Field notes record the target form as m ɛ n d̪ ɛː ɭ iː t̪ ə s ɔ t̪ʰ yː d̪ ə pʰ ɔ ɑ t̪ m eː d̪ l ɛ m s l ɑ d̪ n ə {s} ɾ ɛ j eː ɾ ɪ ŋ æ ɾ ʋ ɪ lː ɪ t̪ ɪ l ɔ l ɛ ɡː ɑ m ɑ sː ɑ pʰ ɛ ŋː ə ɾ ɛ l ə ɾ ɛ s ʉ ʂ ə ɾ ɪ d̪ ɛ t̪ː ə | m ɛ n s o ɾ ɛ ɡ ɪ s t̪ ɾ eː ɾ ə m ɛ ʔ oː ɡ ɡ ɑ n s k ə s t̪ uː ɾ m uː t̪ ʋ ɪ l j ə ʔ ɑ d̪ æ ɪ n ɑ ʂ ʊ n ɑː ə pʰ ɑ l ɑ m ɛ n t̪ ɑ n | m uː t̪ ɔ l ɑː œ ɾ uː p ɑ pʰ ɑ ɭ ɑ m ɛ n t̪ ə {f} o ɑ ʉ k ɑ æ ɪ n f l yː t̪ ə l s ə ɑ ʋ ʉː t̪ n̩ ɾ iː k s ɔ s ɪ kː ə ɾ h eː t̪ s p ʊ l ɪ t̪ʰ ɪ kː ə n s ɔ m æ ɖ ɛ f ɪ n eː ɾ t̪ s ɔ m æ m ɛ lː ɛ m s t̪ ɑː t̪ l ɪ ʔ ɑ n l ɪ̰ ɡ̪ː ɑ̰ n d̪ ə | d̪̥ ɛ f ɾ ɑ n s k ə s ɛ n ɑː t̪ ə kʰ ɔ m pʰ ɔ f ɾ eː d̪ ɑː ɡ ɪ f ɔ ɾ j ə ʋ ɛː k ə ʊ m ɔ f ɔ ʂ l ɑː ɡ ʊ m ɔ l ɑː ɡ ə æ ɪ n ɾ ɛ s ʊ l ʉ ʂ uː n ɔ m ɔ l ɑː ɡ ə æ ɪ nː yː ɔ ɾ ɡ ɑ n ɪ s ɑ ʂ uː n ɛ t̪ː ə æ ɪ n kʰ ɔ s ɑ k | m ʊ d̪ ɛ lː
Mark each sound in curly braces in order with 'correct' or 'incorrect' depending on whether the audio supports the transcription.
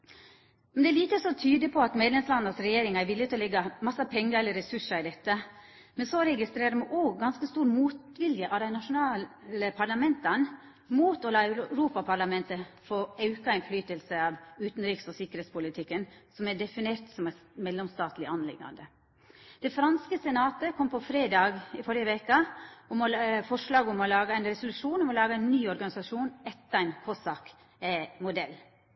correct, correct

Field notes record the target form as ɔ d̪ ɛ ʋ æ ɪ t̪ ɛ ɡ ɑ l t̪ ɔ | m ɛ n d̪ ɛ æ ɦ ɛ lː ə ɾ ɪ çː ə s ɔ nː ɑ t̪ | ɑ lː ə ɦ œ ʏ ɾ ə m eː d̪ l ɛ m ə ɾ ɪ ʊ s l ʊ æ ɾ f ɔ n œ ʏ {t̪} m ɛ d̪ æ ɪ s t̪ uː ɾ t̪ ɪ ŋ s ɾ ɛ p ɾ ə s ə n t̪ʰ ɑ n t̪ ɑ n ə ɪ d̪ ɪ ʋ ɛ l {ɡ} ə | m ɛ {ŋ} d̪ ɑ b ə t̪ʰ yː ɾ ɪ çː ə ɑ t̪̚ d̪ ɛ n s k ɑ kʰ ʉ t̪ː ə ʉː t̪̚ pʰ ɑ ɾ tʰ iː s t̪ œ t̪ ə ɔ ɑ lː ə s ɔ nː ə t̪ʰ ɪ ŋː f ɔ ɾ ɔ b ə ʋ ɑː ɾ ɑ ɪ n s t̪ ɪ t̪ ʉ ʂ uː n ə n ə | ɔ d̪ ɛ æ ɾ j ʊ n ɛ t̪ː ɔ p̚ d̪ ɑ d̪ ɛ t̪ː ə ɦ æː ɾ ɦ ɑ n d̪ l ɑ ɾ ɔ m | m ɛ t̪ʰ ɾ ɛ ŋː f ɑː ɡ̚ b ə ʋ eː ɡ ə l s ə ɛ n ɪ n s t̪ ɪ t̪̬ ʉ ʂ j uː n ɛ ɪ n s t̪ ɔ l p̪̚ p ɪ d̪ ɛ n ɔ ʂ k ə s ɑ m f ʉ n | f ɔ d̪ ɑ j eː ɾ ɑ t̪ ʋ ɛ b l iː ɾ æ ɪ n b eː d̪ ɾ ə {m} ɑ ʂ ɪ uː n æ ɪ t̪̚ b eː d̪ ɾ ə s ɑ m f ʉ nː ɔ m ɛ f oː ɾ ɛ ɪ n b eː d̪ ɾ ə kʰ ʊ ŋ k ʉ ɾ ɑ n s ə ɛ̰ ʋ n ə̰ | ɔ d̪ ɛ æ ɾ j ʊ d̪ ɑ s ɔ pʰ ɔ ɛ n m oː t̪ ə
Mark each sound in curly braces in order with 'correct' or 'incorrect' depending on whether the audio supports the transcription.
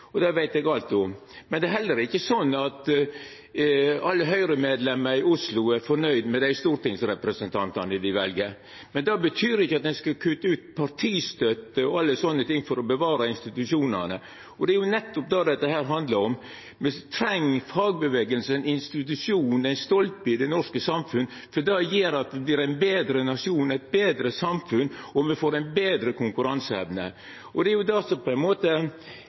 incorrect, correct, incorrect, incorrect

